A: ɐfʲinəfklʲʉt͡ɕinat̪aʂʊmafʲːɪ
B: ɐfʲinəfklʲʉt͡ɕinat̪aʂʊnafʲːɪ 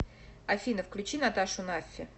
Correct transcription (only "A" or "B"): B